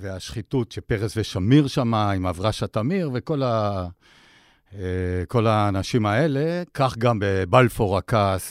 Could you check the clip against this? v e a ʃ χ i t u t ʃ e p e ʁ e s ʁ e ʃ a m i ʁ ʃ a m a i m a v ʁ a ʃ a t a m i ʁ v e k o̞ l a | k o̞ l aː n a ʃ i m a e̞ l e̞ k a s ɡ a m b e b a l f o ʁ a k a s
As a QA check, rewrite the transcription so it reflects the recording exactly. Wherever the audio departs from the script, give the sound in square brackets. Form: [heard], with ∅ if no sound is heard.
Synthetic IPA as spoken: v e a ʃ χ i t u t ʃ e p e ʁ e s [v] e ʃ a m i ʁ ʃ a m a i m a v ʁ a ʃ a t a m i ʁ v e k o̞ l a | k o̞ l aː n a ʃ i m a e̞ l e̞ k a [χ] ɡ a m b e b a l f o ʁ a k a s